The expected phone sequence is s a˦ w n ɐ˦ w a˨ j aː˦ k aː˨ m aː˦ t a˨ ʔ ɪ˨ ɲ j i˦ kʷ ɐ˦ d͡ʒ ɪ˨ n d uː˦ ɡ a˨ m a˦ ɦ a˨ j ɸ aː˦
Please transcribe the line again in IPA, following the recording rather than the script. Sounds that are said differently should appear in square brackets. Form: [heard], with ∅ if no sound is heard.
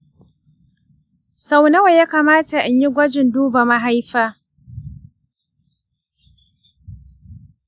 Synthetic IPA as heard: s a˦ w n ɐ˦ w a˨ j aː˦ k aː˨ m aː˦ t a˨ ʔ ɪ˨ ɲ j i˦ [ɡʷ] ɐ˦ d͡ʒ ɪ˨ n d uː˦ [b] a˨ m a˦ ɦ [a˦] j ɸ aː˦